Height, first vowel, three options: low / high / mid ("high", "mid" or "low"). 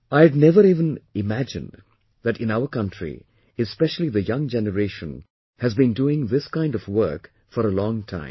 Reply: low